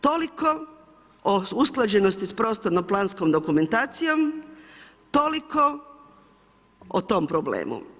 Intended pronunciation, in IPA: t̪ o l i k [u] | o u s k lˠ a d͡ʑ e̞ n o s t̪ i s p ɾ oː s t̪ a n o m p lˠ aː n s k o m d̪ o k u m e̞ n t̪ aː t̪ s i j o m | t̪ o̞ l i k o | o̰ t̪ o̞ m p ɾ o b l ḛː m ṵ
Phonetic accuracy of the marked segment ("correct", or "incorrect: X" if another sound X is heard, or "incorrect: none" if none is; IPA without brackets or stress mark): incorrect: o